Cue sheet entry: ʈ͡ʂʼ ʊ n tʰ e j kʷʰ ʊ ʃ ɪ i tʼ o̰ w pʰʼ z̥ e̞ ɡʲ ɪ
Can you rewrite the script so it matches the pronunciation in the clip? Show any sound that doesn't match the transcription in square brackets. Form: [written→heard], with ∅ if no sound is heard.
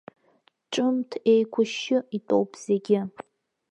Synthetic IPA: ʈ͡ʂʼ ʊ [n→m] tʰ e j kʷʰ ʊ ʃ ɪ i tʼ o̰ w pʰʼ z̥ e̞ ɡʲ ɪ

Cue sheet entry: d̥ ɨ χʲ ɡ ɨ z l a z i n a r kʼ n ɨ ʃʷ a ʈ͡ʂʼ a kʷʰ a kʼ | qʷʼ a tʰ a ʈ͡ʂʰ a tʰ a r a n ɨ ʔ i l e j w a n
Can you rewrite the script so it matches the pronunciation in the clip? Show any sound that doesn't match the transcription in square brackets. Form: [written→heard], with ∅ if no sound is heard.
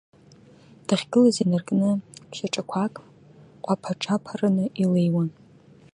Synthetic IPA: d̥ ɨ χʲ ɡ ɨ [z→∅] l a z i n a r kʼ n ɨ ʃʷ a ʈ͡ʂʼ a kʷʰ a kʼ | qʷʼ a [tʰ→pʰ] a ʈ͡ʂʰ a [tʰ→pʰ] a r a n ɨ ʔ i l e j w a n

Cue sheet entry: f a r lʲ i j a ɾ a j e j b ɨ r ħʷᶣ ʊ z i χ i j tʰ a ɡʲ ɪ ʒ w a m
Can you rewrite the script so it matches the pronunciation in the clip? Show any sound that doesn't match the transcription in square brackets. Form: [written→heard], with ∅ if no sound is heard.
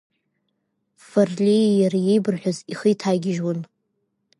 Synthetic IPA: f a r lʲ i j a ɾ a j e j b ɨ r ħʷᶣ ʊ z i χ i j tʰ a ɡʲ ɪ ʒ w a [m→n]

